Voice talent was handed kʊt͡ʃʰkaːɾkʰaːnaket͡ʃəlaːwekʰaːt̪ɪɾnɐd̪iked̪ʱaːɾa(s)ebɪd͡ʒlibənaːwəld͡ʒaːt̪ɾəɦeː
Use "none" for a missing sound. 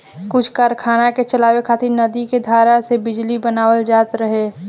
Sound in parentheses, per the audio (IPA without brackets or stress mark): s